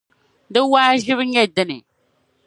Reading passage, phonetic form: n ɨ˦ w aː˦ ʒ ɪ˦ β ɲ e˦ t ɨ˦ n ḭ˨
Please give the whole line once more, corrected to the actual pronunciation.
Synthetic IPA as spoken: d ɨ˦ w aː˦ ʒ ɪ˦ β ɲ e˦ d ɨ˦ n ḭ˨